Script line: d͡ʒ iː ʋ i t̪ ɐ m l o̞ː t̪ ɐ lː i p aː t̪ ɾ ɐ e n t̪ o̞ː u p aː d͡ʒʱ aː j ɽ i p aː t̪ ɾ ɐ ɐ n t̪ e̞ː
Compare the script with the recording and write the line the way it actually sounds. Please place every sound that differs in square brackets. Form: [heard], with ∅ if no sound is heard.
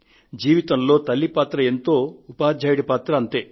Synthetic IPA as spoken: d͡ʒ iː ʋ i t̪ ɐ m l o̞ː t̪ ɐ lː i p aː t̪ ɾ ɐ e n t̪ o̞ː u p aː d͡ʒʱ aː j ɽ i p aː t̪ ɾ ɐ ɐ n t̪ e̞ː